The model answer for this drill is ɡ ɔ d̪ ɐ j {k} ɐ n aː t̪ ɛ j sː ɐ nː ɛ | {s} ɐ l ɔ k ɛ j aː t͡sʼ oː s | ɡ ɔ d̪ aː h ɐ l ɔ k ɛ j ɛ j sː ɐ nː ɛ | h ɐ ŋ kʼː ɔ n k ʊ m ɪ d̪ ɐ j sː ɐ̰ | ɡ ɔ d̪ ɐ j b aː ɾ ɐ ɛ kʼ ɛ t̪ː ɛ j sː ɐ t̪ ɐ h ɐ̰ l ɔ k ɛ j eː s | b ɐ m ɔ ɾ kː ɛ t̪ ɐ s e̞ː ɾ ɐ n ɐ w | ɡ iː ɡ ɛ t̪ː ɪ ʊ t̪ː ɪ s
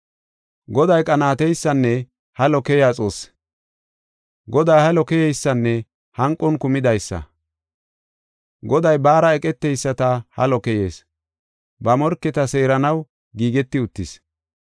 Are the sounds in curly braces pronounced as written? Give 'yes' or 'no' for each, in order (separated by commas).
no, no